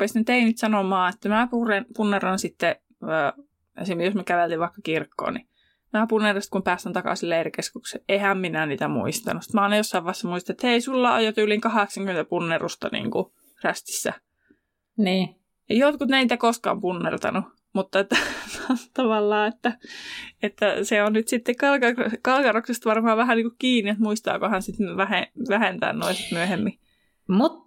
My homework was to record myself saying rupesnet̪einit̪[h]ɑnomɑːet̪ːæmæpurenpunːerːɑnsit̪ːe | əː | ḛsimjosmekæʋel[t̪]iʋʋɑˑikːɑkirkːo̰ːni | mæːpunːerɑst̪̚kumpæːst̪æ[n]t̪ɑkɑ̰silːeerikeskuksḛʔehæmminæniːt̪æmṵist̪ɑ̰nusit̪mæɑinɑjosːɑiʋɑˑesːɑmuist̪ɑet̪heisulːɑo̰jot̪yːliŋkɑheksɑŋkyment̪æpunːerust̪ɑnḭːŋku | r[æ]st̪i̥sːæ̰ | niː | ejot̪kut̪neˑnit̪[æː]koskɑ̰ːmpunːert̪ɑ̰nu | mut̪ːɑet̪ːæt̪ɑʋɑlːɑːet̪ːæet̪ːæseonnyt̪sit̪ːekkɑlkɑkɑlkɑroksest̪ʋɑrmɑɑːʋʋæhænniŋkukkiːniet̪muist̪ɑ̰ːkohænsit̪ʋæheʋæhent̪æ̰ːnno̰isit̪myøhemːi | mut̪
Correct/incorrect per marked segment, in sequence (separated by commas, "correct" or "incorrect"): incorrect, correct, correct, correct, incorrect